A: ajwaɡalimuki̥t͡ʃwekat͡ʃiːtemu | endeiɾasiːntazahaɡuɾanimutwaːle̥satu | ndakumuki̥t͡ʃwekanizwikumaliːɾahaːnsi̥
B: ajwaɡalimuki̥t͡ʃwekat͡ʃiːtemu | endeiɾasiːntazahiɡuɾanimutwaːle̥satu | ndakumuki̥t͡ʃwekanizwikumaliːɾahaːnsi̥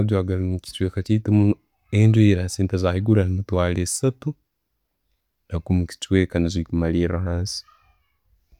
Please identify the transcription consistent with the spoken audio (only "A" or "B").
B